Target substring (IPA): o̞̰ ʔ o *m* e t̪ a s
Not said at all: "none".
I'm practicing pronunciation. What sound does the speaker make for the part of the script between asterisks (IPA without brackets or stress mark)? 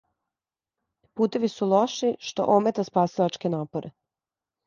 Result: m